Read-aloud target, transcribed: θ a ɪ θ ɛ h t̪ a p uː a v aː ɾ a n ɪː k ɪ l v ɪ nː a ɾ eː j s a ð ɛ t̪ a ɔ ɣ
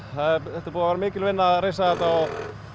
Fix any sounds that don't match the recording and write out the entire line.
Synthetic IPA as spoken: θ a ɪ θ ɛ h t̪ a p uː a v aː ɾ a m ɪː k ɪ l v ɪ nː a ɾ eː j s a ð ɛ t̪ a ɔ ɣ

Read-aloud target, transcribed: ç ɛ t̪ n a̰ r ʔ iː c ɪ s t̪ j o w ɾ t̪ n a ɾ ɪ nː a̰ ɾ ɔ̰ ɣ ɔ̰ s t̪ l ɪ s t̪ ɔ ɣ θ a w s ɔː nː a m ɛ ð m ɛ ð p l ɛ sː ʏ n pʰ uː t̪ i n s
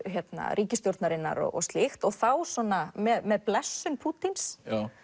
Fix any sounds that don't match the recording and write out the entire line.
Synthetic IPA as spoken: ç ɛ t̪ n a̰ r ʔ iː c ɪ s t̪ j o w ɾ t̪ n a ɾ ɪ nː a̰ ɾ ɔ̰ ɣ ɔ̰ s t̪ l ɪ x t̪ ɔ ɣ θ a w s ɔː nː a m ɛ ð m ɛ ð p l ɛ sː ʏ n pʰ uː t̪ i n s

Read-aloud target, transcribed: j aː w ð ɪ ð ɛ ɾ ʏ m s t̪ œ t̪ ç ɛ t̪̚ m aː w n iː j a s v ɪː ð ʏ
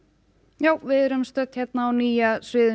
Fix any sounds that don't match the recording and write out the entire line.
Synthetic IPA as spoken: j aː w v ɪ ð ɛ ɾ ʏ m s t̪ œ t̪ ç ɛ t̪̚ n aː w n iː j a s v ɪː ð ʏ

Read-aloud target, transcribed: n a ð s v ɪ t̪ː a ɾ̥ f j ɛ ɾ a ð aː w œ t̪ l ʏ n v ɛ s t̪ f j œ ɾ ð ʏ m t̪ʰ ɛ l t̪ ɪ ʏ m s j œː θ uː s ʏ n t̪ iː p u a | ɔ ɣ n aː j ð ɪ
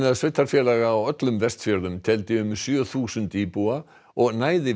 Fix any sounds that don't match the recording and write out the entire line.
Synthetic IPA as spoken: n a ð s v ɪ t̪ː a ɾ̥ f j ɛ l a ɣ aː w œ t̪ l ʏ m v ɛ s t̪ f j œ ɾ ð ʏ m t̪ʰ ɛ l t̪ ɪ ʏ m s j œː θ uː s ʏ n t̪ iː p u a | ɔ ɣ n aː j ð ɪ

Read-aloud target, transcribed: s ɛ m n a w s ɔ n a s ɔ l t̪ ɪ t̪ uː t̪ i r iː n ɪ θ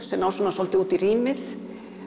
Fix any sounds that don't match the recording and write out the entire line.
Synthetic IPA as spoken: s ɛ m n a w s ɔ n a s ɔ l t̪ ɪ uː t̪ i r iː m ɪ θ

